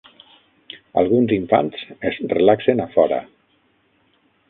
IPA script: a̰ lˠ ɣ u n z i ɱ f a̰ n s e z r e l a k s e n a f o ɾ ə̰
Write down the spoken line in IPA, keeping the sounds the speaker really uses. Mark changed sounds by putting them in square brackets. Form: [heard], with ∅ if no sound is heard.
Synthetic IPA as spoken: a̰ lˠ ɣ u n z i ɱ f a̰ n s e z r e l a k s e n a f [ɔ] ɾ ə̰